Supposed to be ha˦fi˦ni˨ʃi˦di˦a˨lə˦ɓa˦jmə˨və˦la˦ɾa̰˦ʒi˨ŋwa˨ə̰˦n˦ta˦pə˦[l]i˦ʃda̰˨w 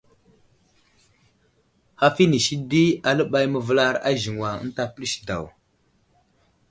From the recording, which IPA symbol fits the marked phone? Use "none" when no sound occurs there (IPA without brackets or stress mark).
l